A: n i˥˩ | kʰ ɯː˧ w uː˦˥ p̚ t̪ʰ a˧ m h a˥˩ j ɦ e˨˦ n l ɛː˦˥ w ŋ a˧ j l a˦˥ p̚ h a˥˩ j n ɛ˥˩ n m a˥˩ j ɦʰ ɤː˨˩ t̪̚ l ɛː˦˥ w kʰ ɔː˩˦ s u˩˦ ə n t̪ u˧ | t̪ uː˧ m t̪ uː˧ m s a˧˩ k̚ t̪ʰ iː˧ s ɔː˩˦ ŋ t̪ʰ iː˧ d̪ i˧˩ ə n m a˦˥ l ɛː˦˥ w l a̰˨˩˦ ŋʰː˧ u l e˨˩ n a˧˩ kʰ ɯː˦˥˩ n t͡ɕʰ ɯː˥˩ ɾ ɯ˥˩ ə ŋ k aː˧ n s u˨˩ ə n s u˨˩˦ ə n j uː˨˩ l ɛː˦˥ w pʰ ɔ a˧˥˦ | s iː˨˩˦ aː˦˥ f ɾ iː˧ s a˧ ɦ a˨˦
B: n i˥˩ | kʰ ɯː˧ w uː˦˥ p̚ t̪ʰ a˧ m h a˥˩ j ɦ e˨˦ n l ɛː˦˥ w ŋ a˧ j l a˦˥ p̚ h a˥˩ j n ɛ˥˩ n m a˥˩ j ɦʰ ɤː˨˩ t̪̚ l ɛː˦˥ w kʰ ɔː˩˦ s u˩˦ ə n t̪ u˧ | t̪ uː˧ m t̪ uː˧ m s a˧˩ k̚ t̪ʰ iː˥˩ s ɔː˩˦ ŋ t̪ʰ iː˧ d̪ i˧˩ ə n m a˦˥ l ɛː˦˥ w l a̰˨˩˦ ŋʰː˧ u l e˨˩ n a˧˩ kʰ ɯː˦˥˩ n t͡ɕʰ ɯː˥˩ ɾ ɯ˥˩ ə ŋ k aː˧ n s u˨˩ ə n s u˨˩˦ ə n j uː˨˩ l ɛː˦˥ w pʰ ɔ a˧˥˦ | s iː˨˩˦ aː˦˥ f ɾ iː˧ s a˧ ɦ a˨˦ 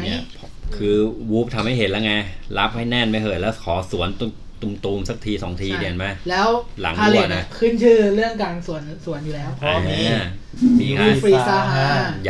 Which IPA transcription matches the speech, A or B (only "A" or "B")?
A